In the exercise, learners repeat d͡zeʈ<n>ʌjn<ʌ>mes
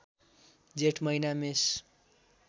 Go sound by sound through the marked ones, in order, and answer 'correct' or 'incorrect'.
incorrect, incorrect

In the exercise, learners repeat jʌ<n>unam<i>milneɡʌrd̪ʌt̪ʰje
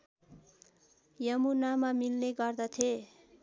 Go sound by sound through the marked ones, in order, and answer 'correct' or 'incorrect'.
incorrect, incorrect

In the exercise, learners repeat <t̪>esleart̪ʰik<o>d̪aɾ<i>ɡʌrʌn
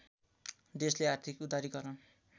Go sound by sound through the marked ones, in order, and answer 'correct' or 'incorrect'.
incorrect, incorrect, correct

